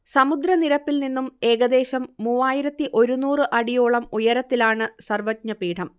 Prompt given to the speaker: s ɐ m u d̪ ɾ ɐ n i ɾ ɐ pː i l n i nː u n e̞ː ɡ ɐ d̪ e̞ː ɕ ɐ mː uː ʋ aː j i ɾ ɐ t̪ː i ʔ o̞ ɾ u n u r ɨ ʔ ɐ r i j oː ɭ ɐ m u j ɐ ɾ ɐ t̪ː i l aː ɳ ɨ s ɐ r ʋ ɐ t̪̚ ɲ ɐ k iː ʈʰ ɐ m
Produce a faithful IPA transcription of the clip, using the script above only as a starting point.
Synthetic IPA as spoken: s ɐ m u d̪ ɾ ɐ n i ɾ ɐ pː i l n i nː u m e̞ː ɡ ɐ d̪ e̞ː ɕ ɐ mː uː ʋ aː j i ɾ ɐ t̪ː i ʔ o̞ ɾ u n uː r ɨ ʔ ɐ ɽ i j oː ɭ ɐ m u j ɐ ɾ ɐ t̪ː i l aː ɳ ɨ s ɐ r ʋ ɐ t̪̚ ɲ ɐ p iː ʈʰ ɐ m